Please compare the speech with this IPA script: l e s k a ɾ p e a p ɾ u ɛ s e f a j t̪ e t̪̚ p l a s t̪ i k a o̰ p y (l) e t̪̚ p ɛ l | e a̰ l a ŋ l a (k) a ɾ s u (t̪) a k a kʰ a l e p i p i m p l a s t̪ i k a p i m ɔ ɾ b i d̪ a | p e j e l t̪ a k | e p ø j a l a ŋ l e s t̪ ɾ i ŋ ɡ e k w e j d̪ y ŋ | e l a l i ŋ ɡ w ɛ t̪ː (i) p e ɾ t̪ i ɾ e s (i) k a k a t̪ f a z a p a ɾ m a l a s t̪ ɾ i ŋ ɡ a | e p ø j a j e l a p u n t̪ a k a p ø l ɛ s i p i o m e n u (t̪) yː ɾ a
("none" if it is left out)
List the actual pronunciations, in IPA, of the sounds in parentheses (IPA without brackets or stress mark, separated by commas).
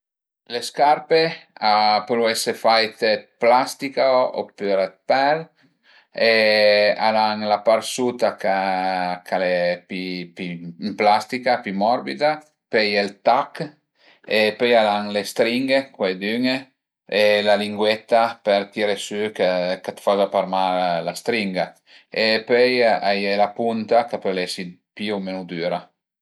ɾ, p, t̪, a, y, d̪